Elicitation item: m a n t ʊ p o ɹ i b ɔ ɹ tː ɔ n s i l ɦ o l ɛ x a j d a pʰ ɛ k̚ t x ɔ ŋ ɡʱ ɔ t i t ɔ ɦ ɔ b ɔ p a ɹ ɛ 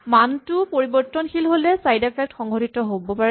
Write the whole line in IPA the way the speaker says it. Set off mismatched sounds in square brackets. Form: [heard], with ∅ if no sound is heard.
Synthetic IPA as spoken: m a n t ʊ p o ɹ i b ɔ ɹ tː ɔ n [x] i l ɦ o l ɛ [s] a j d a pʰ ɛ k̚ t x ɔ ŋ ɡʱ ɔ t i t ɔ ɦ [o] b ɔ p a ɹ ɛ